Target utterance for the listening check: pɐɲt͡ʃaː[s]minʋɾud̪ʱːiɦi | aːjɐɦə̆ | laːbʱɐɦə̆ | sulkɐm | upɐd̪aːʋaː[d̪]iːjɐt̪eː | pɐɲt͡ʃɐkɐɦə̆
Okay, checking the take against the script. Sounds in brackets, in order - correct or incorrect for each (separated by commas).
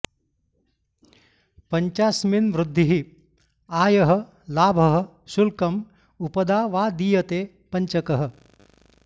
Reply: correct, correct